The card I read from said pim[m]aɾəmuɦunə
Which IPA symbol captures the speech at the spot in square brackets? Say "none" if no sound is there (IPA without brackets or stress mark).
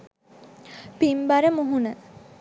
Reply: b